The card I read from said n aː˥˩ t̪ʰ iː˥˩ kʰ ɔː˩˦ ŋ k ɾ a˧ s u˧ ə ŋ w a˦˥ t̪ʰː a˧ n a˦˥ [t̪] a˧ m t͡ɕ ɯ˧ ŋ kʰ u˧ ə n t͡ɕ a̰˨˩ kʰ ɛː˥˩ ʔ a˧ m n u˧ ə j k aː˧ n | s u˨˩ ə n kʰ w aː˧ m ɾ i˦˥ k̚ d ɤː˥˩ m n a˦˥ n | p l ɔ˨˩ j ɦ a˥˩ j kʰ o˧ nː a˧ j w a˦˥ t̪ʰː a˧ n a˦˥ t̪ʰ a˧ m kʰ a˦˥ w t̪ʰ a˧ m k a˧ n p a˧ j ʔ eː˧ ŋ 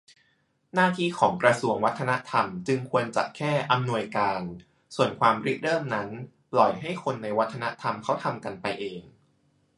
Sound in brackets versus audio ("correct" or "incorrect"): incorrect